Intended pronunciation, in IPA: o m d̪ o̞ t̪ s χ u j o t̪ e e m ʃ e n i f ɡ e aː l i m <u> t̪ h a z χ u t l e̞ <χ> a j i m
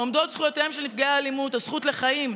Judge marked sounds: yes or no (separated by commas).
yes, yes